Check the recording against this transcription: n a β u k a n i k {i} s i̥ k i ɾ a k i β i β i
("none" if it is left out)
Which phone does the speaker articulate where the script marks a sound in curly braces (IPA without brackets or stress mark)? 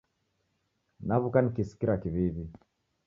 i